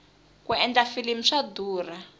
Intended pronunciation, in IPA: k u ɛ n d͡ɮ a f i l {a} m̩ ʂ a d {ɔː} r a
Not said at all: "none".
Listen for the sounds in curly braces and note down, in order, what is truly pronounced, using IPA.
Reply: i, uː

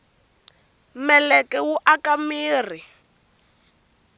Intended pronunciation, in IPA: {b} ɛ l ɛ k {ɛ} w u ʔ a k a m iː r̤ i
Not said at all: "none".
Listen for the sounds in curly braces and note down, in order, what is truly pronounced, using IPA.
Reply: m, ɛ

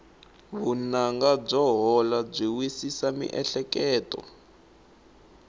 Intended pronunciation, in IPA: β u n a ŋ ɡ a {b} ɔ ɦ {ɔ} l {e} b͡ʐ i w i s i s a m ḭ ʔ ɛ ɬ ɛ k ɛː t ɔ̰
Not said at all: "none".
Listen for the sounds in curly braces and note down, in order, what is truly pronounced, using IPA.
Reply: b͡ʐ, ɔ, a

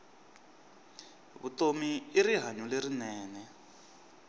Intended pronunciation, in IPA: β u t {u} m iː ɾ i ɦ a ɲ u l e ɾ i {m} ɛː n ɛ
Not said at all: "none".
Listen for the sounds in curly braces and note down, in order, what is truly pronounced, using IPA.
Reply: o, n

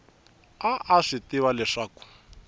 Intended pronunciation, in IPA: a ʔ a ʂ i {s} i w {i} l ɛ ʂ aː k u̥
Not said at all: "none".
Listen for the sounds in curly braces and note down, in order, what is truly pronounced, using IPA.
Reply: t, a

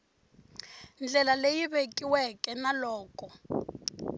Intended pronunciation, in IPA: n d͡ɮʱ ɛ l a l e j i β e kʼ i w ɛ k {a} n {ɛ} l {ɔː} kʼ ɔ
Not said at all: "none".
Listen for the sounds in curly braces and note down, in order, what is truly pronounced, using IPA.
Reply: ɛ, a, ɔː

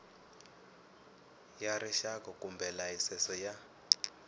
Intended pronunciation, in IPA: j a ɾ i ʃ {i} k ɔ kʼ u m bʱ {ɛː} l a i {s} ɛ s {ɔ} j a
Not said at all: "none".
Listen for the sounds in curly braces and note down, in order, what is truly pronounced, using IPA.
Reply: a, ɛ, s, ɔ

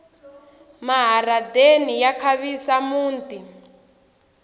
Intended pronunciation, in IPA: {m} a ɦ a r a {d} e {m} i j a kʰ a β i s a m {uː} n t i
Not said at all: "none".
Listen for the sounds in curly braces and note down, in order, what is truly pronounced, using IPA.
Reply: m, d, n, uː

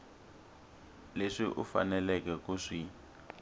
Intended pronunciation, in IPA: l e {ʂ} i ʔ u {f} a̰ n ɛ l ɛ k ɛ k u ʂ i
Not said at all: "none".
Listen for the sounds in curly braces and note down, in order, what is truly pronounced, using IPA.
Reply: ʂ, f

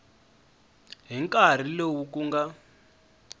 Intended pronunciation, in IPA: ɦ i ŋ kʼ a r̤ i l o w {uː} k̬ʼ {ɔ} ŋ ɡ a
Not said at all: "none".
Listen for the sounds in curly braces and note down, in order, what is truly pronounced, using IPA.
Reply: u, u

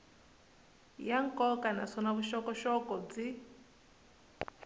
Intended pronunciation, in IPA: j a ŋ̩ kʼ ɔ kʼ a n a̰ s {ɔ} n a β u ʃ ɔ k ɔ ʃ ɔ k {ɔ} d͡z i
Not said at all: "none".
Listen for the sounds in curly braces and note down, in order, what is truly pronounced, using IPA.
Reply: ɔ, ɔ

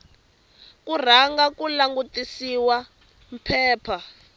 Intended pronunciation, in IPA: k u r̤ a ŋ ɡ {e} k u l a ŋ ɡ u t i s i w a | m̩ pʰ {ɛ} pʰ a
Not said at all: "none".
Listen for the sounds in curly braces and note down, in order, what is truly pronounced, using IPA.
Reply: a, ɛː

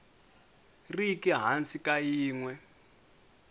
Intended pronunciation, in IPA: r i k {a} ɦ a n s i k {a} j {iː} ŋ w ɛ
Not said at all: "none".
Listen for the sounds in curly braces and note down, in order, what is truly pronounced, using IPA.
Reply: i, a, iː

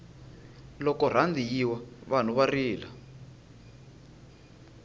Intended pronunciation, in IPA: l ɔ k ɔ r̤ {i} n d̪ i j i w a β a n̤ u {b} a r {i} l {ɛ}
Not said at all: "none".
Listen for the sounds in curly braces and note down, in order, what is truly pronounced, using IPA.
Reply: a, β, iː, a

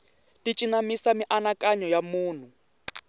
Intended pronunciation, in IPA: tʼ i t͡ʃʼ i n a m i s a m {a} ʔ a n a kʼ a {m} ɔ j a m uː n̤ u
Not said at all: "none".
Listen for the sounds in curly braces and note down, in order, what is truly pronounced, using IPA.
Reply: i, ɲ

